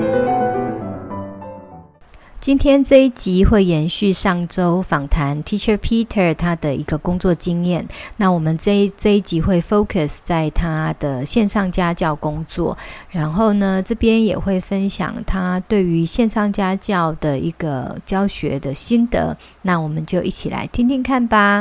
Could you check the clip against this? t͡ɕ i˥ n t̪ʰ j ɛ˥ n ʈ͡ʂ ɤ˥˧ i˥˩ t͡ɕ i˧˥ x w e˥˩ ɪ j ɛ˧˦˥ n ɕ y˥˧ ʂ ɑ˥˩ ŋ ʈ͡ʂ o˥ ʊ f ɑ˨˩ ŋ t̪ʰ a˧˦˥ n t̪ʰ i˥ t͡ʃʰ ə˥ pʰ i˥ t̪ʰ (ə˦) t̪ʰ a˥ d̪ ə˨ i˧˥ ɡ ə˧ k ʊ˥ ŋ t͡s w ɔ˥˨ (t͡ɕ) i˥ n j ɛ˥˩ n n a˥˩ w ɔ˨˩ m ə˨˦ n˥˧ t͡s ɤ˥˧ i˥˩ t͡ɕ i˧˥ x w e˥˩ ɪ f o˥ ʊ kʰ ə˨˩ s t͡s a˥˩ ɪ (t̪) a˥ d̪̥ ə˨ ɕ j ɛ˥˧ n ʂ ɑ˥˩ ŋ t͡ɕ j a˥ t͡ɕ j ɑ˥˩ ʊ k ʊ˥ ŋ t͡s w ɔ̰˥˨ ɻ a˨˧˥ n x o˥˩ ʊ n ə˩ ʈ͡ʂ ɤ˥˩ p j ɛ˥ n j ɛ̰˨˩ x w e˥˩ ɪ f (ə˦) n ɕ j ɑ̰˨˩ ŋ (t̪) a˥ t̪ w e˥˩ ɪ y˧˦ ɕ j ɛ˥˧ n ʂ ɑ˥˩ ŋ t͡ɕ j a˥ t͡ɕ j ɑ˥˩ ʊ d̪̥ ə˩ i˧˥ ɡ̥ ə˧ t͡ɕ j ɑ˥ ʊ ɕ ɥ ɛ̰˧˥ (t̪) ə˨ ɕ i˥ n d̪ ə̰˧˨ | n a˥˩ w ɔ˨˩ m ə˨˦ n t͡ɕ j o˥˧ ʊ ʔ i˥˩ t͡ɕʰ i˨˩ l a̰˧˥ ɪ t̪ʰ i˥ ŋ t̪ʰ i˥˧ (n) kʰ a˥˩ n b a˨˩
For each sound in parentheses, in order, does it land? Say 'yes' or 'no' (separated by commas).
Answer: no, yes, no, yes, no, no, no